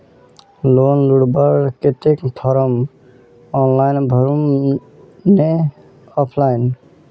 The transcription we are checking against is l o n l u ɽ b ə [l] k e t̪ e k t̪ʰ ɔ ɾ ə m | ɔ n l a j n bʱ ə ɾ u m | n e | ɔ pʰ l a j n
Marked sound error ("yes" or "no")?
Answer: yes